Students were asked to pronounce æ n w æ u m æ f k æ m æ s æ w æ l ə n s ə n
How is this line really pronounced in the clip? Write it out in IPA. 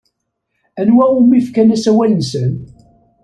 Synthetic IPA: æ n w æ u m i f k æ n æ s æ w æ l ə n s ə n